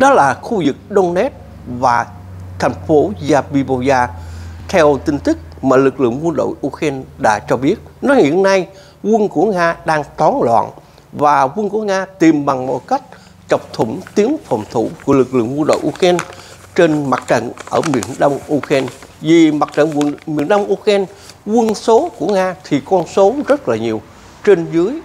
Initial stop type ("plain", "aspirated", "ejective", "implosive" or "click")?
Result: implosive